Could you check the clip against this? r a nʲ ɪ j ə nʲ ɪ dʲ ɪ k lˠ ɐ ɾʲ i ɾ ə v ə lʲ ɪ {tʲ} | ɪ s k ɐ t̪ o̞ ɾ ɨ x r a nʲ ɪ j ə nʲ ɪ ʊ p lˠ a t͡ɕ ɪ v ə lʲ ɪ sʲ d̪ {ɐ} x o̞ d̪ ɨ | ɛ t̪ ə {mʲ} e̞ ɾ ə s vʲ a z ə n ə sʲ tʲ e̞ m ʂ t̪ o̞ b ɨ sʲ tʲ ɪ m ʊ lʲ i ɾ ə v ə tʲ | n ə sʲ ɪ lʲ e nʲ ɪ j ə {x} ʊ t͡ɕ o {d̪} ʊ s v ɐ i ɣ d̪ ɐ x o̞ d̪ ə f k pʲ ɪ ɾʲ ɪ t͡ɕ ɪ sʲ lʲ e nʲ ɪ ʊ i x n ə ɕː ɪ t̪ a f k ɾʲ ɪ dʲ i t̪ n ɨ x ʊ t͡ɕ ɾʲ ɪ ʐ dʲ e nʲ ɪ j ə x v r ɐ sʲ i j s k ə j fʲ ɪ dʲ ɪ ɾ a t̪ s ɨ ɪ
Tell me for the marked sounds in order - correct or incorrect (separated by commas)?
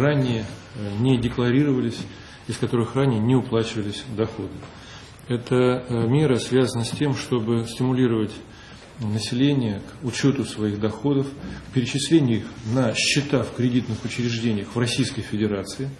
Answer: incorrect, correct, correct, incorrect, incorrect